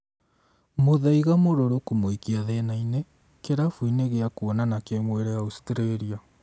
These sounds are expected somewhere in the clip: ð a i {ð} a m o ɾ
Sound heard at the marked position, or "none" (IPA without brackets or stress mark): ɣ